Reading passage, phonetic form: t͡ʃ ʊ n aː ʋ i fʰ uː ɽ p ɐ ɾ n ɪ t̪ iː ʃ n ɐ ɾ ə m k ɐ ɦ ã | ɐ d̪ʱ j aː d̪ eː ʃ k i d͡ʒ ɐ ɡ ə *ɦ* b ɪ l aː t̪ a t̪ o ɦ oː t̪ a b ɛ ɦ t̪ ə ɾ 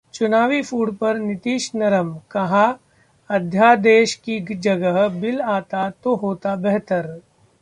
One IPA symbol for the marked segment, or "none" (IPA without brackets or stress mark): ɦ